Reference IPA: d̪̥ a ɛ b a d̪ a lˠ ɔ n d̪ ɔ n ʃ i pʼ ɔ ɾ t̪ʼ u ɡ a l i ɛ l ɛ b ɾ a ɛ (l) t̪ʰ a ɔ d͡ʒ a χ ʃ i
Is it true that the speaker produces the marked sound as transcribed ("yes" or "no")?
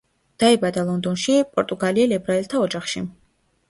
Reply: yes